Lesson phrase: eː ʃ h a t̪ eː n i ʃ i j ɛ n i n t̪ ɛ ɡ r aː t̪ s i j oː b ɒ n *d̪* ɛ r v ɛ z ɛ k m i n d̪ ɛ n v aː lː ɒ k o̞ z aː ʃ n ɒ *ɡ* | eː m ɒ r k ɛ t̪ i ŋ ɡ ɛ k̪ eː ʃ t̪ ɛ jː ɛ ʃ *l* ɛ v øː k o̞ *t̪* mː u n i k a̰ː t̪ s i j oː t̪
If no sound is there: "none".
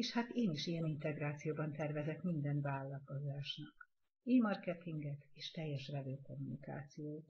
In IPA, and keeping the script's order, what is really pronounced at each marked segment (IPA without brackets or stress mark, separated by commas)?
t̪, k, r, none